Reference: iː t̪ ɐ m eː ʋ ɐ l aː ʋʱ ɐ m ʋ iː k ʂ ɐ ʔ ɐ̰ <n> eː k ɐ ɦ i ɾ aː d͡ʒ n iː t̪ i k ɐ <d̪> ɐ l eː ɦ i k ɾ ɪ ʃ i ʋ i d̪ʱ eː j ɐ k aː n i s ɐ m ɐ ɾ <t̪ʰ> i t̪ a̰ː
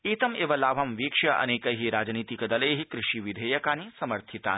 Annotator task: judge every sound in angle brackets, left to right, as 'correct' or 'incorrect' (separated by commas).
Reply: correct, correct, correct